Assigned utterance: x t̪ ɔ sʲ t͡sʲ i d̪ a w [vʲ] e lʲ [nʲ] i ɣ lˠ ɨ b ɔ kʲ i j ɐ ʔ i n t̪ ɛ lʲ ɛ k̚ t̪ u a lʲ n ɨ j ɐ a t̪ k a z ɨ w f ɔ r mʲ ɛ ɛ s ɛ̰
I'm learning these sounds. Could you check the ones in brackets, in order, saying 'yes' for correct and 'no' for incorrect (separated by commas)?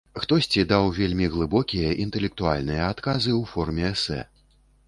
yes, no